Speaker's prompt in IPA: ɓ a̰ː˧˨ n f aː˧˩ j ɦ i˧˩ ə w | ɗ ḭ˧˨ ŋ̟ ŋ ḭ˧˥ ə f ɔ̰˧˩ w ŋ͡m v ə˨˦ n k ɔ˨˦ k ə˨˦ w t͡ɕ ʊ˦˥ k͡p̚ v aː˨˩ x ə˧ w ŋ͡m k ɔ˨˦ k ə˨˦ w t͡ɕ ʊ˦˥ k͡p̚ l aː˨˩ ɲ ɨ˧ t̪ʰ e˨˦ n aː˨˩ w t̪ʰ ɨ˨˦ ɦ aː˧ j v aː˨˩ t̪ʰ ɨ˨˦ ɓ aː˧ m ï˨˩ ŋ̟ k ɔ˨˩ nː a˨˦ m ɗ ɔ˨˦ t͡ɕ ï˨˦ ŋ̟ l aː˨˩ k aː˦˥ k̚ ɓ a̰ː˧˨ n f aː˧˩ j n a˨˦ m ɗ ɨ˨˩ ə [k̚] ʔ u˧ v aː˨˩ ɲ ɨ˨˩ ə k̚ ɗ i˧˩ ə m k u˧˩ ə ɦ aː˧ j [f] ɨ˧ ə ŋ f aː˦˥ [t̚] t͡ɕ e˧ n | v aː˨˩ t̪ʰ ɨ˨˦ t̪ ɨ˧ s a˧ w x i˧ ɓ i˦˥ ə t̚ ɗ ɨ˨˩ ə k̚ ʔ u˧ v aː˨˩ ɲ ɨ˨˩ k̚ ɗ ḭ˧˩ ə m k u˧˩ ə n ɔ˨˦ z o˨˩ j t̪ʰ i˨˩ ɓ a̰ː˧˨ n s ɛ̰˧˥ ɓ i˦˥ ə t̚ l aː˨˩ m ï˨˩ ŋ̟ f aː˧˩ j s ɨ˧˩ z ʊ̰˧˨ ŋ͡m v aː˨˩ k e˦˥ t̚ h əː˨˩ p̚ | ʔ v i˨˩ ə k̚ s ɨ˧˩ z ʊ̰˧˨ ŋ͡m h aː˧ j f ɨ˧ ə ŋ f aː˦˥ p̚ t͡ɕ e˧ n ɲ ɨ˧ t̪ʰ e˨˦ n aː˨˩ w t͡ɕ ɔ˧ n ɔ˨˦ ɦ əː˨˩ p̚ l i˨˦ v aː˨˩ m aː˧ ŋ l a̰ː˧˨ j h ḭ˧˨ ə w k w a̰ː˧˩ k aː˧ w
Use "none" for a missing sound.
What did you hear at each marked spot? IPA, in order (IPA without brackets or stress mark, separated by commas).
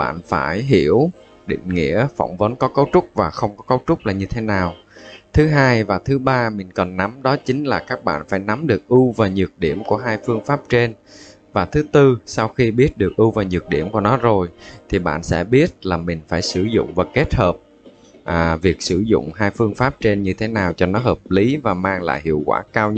k̚, f, p̚